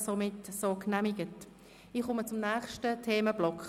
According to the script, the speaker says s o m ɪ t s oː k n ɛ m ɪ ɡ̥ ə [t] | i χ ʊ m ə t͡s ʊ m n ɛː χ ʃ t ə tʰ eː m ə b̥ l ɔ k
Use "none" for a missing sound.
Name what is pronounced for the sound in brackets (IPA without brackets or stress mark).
t